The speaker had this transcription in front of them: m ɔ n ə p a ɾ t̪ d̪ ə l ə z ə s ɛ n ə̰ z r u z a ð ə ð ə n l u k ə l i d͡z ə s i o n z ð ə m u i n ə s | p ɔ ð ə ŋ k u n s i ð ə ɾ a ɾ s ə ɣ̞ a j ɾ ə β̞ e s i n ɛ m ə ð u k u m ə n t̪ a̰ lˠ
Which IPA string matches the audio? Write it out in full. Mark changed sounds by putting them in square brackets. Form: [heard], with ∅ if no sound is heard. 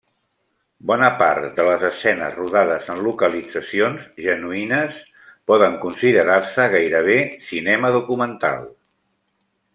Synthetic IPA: [b] ɔ n ə p a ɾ t̪ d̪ ə l ə z ə s ɛ n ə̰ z r u [ð] a ð ə [z] ə n l u k ə l i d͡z ə s i o n z [ʒ] ə [n] u i n ə s | p ɔ ð ə ŋ k u n s i ð ə ɾ a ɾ s ə ɣ̞ a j ɾ ə β̞ e s i n ɛ m ə ð u k u m ə n t̪ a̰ lˠ